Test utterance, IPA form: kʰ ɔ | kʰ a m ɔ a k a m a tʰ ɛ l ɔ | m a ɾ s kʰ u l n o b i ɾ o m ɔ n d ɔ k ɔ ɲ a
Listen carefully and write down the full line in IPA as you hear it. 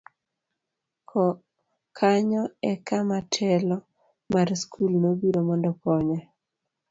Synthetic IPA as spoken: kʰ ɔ | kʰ a ɲ ɔ ɛ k a m a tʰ ɛ l ɔ | m a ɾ s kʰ u l n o b i ɾ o m ɔ n d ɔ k ɔ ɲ a